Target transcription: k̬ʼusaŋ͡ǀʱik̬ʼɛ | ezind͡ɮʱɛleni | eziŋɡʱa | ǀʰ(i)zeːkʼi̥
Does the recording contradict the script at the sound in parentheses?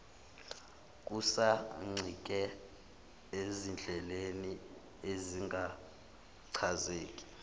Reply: yes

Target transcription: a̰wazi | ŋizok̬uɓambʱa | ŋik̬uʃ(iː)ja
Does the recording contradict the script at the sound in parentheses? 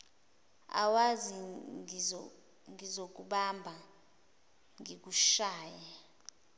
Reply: yes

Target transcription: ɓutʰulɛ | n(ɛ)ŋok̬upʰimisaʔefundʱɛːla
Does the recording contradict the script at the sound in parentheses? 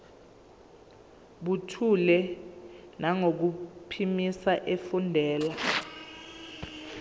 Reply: yes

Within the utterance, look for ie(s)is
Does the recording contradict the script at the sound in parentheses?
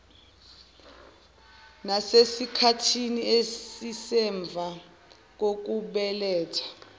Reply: no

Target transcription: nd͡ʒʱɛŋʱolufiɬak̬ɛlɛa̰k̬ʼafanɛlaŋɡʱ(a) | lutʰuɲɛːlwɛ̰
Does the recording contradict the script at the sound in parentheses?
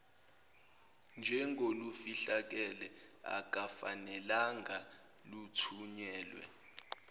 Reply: no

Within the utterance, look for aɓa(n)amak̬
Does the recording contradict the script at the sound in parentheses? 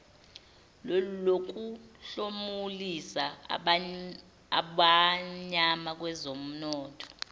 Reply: yes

